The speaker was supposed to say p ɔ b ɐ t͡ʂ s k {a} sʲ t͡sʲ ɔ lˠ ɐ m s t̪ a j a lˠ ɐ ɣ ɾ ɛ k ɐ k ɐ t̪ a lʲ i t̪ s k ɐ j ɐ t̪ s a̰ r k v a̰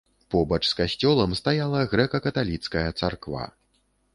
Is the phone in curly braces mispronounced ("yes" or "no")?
no